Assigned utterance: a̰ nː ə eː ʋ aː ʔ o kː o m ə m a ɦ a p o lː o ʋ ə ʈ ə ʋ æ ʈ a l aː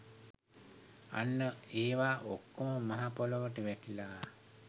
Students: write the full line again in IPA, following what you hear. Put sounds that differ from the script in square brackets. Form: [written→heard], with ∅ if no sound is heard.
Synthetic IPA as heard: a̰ nː ə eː ʋ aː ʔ o kː o m ə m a ɦ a p o [lː→l] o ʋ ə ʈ ə ʋ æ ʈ [a→i] l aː